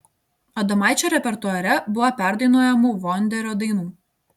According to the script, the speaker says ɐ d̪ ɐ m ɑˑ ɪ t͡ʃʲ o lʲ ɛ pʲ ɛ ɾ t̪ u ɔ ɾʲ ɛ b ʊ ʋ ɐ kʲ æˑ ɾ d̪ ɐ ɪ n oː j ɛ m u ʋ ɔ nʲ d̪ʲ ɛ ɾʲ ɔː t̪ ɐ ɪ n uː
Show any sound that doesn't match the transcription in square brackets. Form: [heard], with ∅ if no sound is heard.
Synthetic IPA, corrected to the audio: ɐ d̪ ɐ m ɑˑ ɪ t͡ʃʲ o [ɾʲ] ɛ pʲ ɛ ɾ t̪ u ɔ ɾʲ ɛ b ʊ ʋ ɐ [pʲ] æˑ ɾ d̪ ɐ ɪ n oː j ɛ m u ʋ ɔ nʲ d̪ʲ ɛ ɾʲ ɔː [d̪] ɐ ɪ n uː